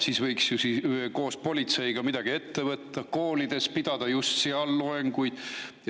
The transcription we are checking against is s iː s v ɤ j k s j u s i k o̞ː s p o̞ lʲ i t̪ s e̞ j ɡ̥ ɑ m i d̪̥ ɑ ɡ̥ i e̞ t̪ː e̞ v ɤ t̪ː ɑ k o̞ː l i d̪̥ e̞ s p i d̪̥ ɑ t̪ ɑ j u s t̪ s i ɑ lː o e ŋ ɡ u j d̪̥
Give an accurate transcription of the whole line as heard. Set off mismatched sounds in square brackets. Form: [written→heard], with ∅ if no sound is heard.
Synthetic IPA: s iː s v ɤ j k s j u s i k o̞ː s p o̞ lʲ i t̪ s e̞ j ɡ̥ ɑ m i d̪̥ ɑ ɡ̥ i e̞ t̪ː e̞ v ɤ t̪ː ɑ k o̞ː l i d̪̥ e̞ s p i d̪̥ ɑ [t̪→d̪] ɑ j u s t̪ s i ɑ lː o e ŋ ɡ u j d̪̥